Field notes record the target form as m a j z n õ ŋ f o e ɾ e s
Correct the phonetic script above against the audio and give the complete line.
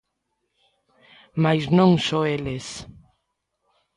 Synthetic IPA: m a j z n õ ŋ s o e l e s